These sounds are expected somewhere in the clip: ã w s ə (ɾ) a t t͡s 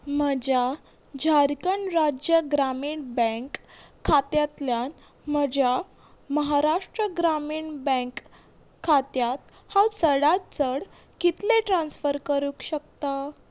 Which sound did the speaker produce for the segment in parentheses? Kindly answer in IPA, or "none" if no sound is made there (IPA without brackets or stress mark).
ɽ